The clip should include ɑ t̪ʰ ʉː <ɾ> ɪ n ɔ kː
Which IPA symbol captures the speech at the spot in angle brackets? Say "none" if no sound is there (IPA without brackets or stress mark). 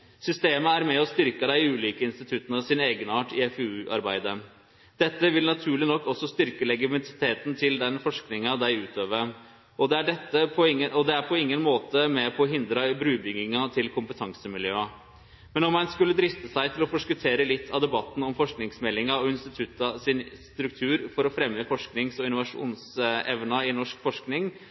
ɭ